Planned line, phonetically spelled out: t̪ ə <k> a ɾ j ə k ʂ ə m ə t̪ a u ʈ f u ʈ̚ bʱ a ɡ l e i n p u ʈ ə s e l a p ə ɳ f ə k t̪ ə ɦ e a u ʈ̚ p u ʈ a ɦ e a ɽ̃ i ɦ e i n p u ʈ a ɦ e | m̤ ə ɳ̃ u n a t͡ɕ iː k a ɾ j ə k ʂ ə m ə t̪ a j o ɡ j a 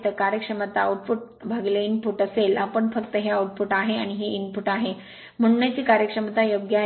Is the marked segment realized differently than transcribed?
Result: no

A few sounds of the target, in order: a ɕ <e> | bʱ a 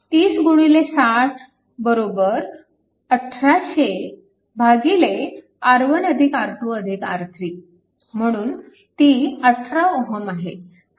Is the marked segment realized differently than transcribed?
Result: no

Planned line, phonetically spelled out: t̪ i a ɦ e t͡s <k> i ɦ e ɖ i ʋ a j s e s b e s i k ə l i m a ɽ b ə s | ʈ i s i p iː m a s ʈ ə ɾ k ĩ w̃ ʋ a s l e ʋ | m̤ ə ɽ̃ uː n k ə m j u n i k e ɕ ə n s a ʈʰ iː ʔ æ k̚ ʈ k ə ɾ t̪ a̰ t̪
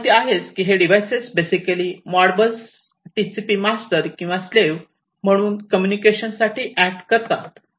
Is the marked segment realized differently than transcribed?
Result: no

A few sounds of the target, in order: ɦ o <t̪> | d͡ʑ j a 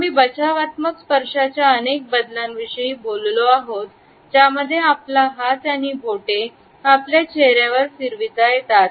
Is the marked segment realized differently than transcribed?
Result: no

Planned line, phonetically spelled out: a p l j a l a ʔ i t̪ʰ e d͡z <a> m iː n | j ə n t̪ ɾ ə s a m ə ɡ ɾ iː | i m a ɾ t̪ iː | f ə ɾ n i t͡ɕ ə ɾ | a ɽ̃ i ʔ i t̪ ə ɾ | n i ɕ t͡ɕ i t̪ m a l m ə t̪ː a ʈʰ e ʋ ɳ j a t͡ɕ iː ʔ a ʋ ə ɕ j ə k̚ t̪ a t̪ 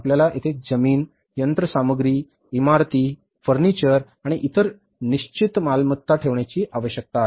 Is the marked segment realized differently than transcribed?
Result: yes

